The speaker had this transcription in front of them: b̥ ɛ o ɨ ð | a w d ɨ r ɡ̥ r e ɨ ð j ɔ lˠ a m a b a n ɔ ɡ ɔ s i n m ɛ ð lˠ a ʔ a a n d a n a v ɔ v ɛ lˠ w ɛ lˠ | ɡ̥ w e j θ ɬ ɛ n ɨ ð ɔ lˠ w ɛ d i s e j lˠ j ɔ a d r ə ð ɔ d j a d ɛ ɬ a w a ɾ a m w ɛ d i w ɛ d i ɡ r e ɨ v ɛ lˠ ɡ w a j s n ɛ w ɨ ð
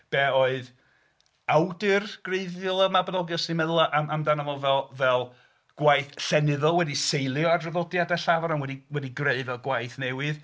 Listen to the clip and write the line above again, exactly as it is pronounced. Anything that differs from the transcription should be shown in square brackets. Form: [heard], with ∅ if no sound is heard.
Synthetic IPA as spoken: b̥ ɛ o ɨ ð | a w d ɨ r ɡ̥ r e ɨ ð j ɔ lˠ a m a b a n ɔ ɡ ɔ s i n m ɛ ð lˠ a ʔ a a [m] d a n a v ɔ v ɛ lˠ [v] ɛ lˠ | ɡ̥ w [a] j θ ɬ ɛ n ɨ ð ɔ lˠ w ɛ d i s e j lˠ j ɔ a d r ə ð ɔ d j a d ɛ ɬ a [v] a ɾ a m w ɛ d i w ɛ d i ɡ r e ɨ v ɛ lˠ ɡ w a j [θ] n ɛ w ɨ ð